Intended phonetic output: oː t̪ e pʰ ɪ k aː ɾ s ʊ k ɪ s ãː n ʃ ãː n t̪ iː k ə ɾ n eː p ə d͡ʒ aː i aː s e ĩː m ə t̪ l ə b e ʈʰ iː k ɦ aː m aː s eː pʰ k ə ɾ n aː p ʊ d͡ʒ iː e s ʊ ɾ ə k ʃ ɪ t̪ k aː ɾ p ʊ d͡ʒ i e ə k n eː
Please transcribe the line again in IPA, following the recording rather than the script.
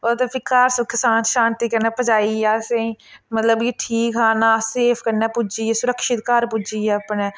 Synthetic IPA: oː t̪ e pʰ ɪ k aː ɾ s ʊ k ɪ s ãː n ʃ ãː n t̪ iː k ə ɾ n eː p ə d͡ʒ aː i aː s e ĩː m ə t̪ l ə b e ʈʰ iː k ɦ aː n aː s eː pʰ k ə ɾ n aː p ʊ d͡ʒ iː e s ʊ ɾ ə k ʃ ɪ t̪ k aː ɾ p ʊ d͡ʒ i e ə p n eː